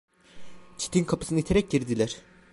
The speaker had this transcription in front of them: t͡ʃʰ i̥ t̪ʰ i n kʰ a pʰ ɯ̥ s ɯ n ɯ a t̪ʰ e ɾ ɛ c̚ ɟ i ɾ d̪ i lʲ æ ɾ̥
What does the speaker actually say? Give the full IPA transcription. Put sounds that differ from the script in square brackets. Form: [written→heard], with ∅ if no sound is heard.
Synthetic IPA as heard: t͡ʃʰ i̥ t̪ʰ i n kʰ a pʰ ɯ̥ s ɯ n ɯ [a→i] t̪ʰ e ɾ ɛ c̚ ɟ i ɾ d̪ i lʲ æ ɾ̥